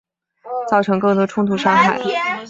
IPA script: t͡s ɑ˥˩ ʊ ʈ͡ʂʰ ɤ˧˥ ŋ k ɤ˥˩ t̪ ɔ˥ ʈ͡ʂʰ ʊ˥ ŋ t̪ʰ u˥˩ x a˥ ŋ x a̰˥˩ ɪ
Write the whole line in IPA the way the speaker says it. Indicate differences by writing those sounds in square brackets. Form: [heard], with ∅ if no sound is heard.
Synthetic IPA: t͡s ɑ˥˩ ʊ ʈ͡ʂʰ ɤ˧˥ ŋ k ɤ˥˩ t̪ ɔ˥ ʈ͡ʂʰ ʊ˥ ŋ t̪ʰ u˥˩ [ʂ] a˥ ŋ x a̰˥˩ ɪ